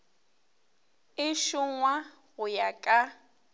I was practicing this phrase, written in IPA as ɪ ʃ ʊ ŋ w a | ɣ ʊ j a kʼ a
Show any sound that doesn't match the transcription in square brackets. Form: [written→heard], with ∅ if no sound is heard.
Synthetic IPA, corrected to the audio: ɪ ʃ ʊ ŋ w a | ɣ ʊ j a kʼ a